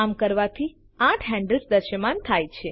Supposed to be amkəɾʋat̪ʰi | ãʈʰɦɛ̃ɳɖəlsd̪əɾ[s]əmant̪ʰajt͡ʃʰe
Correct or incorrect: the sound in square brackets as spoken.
incorrect: ʃ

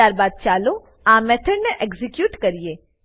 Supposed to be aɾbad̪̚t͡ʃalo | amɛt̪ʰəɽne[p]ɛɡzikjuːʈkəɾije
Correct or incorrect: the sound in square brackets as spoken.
incorrect: ʔ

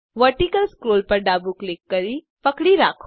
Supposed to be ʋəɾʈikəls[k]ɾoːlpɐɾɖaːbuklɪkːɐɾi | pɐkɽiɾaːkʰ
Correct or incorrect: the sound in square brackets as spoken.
correct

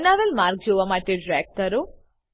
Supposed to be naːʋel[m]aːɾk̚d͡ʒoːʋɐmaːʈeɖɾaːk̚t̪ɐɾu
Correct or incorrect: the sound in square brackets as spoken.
correct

